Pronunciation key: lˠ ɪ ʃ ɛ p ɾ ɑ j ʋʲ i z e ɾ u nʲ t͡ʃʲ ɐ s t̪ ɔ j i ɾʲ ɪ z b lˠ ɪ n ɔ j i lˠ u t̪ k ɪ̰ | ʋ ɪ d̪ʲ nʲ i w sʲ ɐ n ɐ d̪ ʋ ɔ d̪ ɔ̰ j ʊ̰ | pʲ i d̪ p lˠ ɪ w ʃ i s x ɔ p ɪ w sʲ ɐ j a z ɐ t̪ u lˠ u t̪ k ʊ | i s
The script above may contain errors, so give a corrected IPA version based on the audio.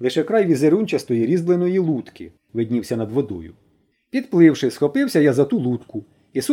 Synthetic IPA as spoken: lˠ ɪ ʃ ɛ k ɾ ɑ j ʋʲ i z e ɾ u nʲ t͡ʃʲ ɐ s t̪ ɔ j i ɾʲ i z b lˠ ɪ n ɔ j i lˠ u t̪ k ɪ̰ | ʋ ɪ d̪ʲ nʲ i w sʲ ɐ n ɐ d̪ ʋ ɔ d̪ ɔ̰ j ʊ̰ | pʲ i d̪ p lˠ ɪ w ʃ ɪ s x ɔ p ɪ w sʲ ɐ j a z ɐ t̪ u lˠ u t̪ k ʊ | i s